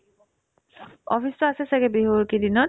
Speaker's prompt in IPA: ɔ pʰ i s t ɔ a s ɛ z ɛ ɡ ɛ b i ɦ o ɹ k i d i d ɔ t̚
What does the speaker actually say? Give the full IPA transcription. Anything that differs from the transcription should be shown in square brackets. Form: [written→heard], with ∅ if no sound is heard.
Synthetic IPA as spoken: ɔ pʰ i s t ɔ a s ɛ [z→s] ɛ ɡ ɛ b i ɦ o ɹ k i d i [d→n] ɔ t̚